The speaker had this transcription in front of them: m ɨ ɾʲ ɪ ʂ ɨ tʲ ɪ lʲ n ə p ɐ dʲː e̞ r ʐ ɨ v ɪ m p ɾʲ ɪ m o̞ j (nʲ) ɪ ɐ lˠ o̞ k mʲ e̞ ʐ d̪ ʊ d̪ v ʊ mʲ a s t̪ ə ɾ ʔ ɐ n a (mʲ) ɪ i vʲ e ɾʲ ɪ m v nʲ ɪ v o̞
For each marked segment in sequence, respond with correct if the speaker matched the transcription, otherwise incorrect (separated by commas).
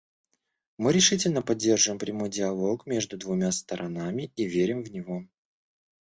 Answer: incorrect, correct